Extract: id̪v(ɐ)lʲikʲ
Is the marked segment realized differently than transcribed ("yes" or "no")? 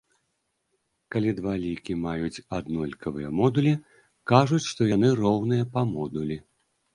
yes